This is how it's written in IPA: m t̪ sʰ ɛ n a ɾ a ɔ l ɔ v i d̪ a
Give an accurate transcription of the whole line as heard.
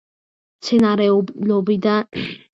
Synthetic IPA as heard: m t̪ sʰ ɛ n a ɾ ɛ ɔ l ɔ b i d̪ a